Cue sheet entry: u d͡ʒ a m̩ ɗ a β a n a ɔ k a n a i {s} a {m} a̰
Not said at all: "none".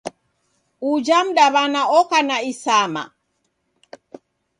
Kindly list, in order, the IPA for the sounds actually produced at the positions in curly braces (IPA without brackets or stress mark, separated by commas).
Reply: s, m